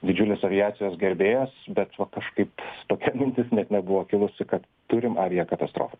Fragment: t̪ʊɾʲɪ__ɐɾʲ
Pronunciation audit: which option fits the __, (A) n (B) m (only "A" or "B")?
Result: B